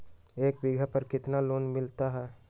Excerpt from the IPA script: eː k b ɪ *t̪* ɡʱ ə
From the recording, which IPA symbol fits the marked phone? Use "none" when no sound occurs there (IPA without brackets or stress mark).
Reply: none